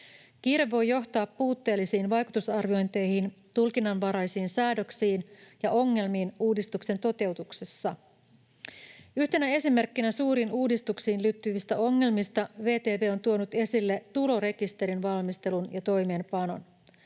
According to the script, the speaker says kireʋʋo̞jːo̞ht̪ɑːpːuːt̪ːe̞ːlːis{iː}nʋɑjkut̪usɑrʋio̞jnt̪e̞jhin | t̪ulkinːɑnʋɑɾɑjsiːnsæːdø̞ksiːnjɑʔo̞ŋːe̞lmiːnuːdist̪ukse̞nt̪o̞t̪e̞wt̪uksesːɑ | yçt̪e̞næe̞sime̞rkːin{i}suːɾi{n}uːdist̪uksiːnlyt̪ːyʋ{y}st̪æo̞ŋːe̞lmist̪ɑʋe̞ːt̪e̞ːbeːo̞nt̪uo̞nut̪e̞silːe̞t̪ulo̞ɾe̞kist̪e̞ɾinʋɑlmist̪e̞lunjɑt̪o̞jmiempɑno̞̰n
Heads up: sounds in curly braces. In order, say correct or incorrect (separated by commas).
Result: correct, incorrect, correct, incorrect